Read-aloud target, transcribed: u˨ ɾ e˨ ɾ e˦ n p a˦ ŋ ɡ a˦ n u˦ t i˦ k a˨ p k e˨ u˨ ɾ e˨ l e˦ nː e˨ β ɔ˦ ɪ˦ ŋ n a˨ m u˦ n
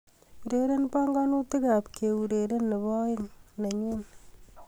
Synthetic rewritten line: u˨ ɾ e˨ ɾ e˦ n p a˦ ŋ ɡ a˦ n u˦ t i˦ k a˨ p k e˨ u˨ ɾ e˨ ɾ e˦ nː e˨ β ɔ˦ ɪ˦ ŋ n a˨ ɲ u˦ n